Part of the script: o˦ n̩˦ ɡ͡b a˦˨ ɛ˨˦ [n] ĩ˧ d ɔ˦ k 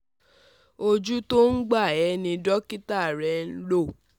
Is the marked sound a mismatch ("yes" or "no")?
no